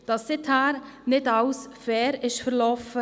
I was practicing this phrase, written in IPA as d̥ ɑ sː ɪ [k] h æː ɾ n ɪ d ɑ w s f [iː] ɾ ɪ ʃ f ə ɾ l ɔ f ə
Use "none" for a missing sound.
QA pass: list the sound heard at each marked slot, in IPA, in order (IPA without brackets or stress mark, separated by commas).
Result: t, ɛː